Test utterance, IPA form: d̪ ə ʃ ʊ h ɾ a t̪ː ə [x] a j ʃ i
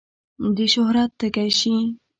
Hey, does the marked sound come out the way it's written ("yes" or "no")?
no